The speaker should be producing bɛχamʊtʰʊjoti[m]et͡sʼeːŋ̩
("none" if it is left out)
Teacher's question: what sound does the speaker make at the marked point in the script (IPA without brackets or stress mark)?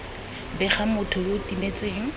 m